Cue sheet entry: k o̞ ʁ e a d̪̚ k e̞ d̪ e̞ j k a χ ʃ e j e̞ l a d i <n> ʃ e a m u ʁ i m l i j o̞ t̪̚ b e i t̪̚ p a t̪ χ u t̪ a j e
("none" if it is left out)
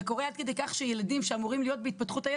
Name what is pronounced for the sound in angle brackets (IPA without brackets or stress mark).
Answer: m